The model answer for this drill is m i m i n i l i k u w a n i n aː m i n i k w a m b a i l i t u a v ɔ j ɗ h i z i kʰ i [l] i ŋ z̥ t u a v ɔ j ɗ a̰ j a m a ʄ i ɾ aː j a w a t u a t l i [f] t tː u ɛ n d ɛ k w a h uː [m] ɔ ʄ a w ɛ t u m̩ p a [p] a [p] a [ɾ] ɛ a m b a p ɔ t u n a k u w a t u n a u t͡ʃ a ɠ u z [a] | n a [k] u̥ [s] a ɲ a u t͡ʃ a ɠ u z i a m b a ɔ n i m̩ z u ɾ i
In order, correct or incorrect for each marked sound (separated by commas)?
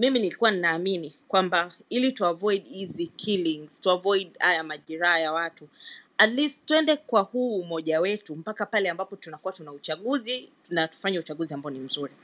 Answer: correct, incorrect, correct, incorrect, correct, incorrect, incorrect, incorrect, incorrect